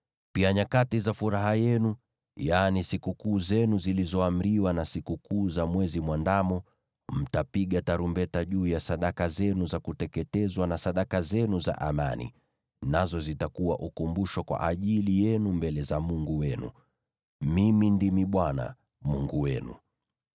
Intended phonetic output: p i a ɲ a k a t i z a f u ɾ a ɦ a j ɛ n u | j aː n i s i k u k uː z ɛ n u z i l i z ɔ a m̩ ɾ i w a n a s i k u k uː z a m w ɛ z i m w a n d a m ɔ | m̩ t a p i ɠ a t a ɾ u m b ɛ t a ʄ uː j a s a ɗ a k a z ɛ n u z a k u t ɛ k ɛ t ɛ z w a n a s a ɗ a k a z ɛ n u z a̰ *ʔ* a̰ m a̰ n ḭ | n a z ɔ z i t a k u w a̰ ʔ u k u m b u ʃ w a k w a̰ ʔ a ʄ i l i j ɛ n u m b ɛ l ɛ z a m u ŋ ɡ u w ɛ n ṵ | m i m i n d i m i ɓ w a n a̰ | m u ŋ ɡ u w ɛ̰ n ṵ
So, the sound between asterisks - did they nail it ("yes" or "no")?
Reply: yes